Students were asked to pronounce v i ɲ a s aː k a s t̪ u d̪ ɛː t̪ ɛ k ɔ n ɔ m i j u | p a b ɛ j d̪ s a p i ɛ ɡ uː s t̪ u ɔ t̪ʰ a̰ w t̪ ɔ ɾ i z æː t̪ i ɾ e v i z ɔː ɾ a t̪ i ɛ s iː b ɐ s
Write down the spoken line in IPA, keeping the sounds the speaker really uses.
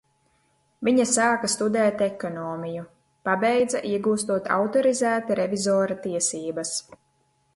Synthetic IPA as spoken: v i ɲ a s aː k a s t̪ u d̪ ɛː t̪ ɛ k ɔ n ɔː m i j u | p a b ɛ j d̪ z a ʔ i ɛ ɡ uː s t̪ u ɔ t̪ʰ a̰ w t̪ ɔ ɾ i z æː t̪ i ɾ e v i z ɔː ɾ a t̪ i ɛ s iː b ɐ s